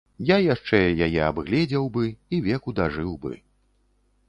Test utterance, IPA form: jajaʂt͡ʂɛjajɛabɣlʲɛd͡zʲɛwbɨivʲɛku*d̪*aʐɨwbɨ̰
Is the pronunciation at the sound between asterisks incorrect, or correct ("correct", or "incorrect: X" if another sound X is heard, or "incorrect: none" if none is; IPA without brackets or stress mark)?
correct